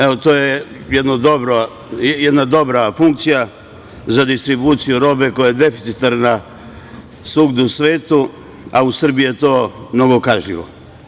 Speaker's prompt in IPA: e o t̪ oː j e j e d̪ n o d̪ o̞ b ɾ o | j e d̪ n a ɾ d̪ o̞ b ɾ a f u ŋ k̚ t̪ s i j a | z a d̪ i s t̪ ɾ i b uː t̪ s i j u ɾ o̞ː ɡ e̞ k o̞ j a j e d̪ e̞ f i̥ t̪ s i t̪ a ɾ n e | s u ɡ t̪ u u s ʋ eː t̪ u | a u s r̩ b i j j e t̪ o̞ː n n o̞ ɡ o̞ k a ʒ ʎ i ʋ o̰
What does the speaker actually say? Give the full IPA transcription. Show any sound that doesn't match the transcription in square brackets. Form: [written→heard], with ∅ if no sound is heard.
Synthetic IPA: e o t̪ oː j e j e d̪ n o d̪ o̞ b ɾ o | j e d̪ n a [ɾ→∅] d̪ o̞ b ɾ a f u ŋ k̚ t̪ s i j a | z a d̪ i s t̪ ɾ i b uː t̪ s i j u ɾ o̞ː [ɡ→b] e̞ k o̞ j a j e d̪ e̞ f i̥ t̪ s i t̪ a ɾ n [e→a] | s u ɡ [t̪→d̪] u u s ʋ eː t̪ u | a u s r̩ b i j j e t̪ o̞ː [n→m] n o̞ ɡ o̞ k a ʒ ʎ i ʋ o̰